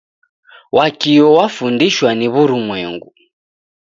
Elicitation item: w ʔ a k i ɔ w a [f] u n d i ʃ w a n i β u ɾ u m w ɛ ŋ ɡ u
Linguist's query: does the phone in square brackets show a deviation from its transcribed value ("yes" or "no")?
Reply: no